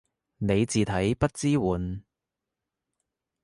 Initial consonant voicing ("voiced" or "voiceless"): voiced